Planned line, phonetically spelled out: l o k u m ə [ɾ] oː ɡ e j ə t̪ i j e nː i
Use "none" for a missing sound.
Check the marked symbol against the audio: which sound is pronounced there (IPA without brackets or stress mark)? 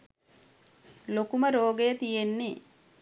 ɾ